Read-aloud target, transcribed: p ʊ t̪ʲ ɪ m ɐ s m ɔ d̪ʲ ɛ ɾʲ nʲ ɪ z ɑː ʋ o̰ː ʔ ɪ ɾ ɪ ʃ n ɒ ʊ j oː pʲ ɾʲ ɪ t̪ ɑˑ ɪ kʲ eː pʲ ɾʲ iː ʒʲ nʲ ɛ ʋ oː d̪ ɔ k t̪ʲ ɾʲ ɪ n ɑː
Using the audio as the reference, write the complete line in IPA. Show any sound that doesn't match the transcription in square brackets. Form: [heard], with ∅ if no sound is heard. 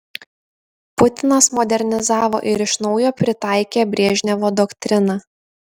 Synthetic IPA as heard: p ʊ t̪ʲ ɪ [n] ɐ s m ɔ d̪ʲ ɛ ɾʲ nʲ ɪ z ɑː ʋ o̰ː ʔ ɪ ɾ ɪ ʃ n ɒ ʊ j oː pʲ ɾʲ ɪ t̪ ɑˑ ɪ kʲ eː [bʲ] ɾʲ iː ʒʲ nʲ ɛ ʋ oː d̪ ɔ k t̪ʲ ɾʲ ɪ n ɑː